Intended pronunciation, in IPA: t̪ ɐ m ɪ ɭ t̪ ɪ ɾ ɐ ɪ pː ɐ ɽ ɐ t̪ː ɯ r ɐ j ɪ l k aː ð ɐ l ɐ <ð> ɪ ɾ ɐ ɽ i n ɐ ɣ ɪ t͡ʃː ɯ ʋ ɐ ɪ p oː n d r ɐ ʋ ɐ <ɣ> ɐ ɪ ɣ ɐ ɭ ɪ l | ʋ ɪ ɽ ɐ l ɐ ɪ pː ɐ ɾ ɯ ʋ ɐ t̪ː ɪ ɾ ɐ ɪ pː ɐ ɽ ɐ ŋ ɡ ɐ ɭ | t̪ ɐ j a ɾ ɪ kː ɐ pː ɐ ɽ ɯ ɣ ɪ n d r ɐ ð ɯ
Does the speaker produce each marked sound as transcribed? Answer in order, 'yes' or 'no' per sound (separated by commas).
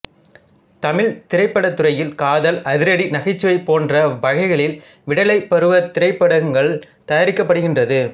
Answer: yes, yes